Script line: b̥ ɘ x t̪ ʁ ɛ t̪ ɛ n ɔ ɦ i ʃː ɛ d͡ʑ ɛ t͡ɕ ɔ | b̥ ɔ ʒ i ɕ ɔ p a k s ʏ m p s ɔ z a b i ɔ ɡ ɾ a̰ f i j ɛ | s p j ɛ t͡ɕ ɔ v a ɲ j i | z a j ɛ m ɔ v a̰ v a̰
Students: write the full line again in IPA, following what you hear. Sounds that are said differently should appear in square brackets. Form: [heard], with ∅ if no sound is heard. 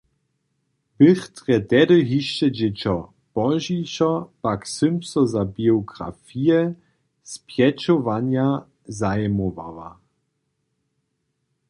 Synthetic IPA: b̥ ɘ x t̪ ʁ ɛ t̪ ɛ [d] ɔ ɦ i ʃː ɛ d͡ʑ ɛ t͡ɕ ɔ | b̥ ɔ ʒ i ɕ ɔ p a k s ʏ m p s ɔ z a b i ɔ ɡ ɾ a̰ f i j ɛ | s p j ɛ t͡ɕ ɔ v a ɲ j [a] | z a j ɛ m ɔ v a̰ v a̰